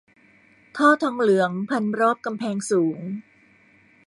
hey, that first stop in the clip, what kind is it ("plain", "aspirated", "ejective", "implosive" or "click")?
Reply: aspirated